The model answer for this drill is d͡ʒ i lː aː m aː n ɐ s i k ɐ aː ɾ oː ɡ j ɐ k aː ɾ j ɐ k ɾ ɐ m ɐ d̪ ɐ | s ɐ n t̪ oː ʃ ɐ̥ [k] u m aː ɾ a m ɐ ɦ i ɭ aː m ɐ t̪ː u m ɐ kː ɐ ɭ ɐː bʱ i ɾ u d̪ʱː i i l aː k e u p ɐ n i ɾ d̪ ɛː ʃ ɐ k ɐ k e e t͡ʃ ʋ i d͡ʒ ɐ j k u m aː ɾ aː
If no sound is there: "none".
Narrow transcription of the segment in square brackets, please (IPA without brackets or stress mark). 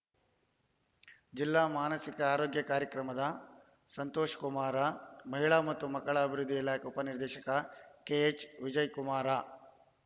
k